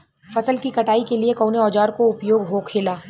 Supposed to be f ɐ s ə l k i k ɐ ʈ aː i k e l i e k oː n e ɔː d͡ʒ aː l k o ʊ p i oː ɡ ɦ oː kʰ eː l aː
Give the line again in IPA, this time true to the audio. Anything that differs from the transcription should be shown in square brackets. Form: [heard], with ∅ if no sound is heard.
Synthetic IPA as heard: f ɐ s ə l k i k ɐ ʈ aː i k e l i e k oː n e ɔː d͡ʒ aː [ɾ] k o ʊ p [j] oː ɡ ɦ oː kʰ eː l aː